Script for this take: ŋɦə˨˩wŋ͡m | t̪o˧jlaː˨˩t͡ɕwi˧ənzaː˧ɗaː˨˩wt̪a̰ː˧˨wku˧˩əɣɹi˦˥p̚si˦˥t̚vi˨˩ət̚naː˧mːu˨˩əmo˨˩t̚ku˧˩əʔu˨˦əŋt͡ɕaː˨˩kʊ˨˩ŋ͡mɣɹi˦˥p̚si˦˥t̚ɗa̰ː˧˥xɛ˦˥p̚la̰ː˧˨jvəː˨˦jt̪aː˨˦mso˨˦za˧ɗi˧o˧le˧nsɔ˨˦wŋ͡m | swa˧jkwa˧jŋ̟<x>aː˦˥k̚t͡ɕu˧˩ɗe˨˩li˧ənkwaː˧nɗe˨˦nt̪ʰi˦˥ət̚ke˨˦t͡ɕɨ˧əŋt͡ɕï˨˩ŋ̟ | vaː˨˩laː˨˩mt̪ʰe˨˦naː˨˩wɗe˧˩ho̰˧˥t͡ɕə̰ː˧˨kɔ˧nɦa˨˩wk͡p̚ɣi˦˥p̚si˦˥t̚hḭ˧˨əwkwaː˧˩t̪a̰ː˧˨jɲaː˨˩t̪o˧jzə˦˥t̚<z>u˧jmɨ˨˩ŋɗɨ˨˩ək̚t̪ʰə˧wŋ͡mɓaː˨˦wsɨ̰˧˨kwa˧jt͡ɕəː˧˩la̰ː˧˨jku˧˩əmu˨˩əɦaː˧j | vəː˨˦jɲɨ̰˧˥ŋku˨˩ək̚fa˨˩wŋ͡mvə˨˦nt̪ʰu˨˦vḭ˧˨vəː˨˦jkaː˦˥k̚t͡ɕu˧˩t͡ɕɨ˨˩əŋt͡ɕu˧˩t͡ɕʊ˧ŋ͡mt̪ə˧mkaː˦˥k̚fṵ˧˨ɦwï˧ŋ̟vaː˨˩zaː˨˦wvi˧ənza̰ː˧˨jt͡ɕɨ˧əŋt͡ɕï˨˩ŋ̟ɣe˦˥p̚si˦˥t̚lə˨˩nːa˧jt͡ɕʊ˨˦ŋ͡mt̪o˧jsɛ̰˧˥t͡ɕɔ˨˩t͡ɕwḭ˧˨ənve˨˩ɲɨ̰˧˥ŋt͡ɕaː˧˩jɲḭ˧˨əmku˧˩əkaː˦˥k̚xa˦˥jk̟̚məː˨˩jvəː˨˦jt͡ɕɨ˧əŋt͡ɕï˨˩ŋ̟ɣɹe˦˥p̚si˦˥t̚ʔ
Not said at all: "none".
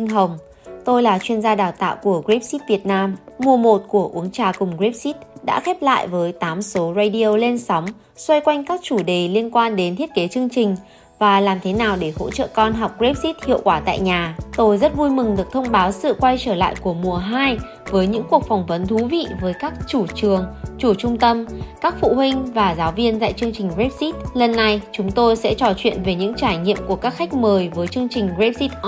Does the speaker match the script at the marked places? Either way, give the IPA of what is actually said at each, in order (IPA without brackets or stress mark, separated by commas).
k, v